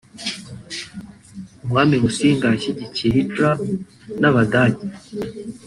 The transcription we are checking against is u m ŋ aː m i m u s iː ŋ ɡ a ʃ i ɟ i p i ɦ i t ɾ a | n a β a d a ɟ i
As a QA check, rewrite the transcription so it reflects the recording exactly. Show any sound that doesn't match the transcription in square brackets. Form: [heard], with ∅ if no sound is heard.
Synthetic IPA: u m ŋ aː m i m u s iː ŋ ɡ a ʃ i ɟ i [c] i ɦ i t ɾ a | n a β a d a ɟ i